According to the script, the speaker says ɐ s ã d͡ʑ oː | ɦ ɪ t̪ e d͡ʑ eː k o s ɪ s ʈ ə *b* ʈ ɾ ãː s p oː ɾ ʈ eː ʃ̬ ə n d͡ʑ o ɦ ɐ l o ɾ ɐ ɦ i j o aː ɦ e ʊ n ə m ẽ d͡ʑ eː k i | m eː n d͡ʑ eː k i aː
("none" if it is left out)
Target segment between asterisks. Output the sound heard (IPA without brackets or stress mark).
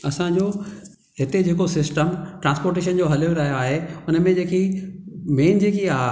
m